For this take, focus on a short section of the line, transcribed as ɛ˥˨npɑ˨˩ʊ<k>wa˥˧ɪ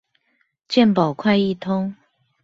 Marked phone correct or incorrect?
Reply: incorrect